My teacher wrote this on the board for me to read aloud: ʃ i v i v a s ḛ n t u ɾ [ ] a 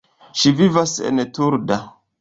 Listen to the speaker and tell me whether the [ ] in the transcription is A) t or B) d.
B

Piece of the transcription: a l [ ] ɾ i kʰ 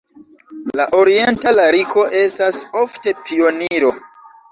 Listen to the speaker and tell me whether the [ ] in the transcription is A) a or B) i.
A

